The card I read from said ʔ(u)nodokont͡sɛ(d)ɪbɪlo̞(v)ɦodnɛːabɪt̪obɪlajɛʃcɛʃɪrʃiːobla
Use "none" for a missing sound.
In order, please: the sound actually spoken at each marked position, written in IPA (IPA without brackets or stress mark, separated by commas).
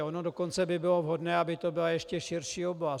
o, b, v